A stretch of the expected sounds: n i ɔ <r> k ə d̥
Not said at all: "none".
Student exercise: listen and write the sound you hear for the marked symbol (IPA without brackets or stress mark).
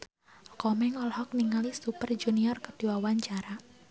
r